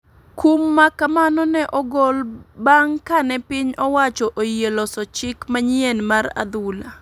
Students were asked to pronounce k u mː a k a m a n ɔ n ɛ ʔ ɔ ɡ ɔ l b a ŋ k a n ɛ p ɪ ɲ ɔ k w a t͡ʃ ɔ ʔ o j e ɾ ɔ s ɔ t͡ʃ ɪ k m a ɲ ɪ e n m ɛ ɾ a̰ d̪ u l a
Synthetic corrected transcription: k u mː a k a m a n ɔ n ɛ ʔ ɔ ɡ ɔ l b a ŋ k a n ɛ p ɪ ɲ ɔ w a t͡ʃ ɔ ʔ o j e l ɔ s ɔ t͡ʃ ɪ k m a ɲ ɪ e n m a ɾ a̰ d̪ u l a